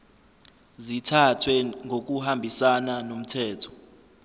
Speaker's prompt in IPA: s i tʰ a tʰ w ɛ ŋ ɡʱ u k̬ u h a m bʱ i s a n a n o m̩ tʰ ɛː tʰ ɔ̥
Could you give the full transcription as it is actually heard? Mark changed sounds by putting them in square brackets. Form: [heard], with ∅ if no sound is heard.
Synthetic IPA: [z] i tʰ a tʰ w ɛ ŋ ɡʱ [o] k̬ u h a m bʱ i s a n a n o m̩ tʰ ɛː tʰ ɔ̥